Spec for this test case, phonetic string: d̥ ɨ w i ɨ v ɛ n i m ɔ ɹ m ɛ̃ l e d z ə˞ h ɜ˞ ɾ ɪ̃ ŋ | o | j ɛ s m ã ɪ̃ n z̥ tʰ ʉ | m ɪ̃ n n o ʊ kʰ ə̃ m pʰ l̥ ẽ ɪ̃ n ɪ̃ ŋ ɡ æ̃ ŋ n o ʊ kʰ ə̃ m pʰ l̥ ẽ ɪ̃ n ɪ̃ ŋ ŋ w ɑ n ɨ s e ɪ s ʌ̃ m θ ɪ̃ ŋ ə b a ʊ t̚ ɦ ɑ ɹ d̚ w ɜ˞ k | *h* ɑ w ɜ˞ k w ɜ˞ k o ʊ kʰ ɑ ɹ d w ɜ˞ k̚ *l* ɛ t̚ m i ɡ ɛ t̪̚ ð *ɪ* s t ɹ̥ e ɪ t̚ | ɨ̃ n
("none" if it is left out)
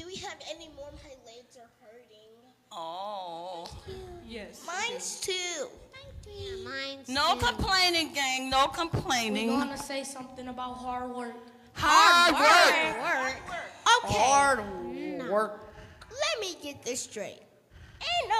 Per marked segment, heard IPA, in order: h, l, ɪ

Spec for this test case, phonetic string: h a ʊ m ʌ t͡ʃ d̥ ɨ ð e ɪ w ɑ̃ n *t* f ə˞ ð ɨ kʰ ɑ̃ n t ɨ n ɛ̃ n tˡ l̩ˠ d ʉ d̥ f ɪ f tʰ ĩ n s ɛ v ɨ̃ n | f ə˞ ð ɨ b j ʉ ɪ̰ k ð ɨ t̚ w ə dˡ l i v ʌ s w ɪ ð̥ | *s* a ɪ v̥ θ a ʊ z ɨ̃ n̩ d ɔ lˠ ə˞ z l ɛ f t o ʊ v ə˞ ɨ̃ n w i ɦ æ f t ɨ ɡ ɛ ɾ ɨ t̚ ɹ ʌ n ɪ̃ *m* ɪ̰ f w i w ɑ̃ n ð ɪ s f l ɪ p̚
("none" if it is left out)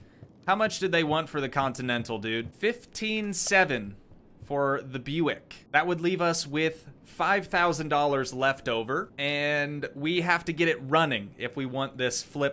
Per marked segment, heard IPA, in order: t, f, ŋ

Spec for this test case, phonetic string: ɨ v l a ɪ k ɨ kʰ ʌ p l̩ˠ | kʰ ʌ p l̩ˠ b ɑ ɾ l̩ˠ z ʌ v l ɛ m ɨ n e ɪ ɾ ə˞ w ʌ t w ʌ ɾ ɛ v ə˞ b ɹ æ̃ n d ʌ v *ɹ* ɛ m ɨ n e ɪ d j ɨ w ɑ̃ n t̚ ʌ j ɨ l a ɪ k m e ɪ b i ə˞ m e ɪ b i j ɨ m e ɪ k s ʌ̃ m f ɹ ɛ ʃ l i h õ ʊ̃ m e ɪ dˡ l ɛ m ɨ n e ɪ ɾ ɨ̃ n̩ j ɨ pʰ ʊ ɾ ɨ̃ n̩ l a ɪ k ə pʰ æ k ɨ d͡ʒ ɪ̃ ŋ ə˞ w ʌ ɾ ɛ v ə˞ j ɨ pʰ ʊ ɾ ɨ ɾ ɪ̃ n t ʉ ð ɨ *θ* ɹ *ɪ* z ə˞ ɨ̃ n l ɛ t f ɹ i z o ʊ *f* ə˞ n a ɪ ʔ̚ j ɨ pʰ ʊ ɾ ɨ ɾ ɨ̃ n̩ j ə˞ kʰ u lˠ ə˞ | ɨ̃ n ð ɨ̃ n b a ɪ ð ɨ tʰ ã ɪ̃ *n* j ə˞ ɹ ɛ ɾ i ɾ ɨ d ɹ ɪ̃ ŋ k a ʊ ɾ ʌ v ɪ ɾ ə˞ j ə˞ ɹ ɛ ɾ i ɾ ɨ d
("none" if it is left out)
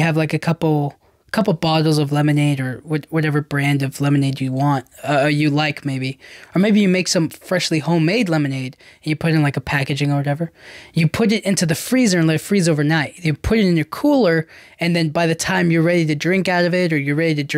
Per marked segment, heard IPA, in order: l, f, i, v, m

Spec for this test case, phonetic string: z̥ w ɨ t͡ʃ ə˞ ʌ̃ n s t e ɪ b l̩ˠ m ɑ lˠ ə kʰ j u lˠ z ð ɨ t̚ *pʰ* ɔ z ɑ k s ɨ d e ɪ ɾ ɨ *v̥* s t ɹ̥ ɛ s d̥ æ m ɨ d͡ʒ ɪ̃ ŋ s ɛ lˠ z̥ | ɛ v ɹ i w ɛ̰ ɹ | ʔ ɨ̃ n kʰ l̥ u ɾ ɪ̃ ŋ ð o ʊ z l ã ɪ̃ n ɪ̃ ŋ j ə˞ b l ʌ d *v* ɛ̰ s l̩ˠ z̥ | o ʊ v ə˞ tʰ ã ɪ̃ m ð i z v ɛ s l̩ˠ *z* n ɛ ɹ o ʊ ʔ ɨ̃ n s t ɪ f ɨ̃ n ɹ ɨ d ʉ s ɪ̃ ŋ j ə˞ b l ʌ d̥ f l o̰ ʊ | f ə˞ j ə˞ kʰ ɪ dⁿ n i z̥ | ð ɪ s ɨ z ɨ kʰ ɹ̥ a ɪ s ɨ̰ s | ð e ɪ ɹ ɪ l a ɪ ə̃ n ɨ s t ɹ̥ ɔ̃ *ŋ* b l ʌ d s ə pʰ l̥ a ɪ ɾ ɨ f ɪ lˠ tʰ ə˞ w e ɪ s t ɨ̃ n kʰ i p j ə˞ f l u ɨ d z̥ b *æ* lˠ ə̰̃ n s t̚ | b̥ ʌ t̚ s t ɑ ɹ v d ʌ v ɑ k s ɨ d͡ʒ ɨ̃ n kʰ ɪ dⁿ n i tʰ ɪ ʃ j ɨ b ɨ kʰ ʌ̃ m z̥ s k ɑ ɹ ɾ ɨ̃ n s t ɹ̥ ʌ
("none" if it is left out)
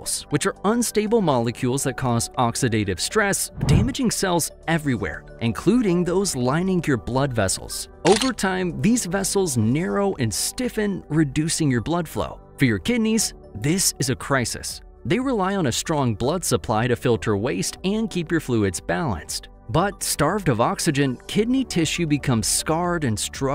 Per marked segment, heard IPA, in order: kʰ, v̥, v, z, ŋ, æ

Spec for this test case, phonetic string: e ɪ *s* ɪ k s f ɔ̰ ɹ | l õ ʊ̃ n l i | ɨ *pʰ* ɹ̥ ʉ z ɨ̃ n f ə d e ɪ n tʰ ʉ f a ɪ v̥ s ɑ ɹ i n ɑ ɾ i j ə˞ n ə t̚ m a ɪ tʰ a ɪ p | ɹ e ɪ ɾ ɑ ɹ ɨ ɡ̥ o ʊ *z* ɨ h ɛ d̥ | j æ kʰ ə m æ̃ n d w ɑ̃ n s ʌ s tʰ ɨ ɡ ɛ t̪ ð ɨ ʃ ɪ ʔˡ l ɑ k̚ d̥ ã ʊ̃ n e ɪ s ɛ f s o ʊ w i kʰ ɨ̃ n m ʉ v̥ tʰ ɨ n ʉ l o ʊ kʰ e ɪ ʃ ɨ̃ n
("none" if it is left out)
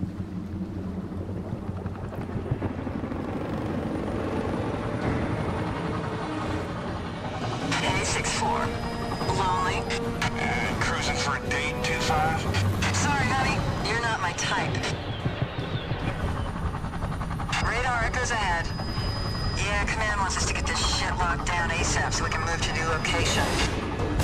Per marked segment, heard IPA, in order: s, kʰ, z

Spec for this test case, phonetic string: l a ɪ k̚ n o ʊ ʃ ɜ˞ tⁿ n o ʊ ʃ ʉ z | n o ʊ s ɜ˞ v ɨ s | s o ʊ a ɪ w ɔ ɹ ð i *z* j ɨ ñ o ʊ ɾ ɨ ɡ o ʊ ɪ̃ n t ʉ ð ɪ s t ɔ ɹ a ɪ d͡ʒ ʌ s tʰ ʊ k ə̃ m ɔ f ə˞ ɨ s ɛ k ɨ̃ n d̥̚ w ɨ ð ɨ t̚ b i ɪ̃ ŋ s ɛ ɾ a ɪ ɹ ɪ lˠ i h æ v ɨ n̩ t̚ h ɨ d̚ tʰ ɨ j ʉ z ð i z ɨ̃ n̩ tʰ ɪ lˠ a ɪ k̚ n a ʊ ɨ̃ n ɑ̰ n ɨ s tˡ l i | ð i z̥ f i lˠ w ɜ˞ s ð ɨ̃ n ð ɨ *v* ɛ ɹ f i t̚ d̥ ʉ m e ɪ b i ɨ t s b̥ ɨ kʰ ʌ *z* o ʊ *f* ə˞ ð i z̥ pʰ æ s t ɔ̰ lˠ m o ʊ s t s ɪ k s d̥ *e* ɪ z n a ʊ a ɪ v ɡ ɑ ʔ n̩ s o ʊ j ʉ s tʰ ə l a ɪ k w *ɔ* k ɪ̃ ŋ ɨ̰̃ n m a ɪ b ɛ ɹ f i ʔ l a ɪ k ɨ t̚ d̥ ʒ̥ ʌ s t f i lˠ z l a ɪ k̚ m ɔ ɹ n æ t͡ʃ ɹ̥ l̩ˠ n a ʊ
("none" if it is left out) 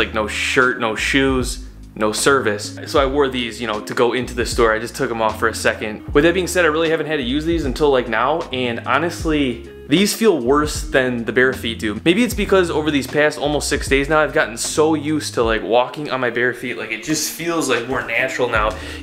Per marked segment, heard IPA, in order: z, b, z, v, e, ɔ

